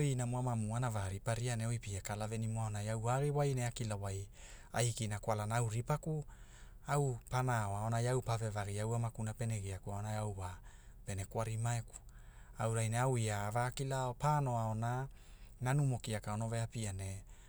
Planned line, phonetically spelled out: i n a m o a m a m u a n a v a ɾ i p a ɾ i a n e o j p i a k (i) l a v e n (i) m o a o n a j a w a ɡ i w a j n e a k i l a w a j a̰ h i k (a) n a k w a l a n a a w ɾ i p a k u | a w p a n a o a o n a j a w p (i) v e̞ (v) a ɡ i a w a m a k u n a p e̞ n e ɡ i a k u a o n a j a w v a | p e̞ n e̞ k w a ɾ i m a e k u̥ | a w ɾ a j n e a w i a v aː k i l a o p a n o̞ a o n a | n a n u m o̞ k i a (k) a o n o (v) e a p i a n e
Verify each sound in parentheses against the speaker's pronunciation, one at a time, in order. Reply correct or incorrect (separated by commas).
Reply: incorrect, correct, incorrect, incorrect, correct, correct, correct